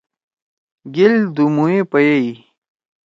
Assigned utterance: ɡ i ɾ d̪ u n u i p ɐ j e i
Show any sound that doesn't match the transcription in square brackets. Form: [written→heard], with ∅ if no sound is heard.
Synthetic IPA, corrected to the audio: ɡ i [ɾ→l] d̪ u [n→m] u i p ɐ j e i